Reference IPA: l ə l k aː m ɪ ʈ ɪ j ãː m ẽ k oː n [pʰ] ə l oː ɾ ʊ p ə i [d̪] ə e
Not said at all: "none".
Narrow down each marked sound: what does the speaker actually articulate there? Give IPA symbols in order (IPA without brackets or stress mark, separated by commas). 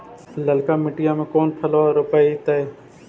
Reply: pʰ, t̪